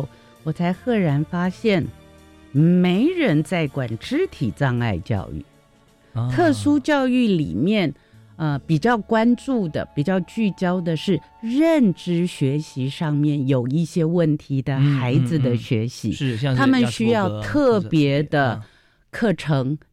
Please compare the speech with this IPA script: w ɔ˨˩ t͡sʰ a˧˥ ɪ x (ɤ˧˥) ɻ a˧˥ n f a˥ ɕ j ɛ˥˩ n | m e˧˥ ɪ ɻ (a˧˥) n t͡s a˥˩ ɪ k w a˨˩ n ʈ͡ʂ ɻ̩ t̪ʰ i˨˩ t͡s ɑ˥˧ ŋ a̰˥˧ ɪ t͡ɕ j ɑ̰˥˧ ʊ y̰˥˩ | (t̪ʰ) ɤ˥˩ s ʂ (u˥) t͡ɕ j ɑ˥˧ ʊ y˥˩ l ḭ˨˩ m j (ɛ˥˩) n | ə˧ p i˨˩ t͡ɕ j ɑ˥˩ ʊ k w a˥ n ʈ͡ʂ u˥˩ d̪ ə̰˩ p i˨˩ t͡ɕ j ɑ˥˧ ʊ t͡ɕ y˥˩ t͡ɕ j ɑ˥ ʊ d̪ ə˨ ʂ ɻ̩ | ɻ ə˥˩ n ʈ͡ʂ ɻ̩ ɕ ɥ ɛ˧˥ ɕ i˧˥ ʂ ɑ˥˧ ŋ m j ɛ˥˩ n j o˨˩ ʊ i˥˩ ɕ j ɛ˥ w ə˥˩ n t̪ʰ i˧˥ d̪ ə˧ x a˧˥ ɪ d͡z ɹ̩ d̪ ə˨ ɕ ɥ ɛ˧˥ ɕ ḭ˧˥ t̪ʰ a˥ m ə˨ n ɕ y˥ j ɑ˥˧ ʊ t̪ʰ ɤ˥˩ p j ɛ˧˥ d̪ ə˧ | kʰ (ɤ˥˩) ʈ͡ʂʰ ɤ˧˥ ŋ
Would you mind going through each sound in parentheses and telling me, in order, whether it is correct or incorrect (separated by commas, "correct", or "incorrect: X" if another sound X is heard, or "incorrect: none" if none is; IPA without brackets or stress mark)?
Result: incorrect: ɤ˥˩, incorrect: ə˧˥, correct, correct, correct, correct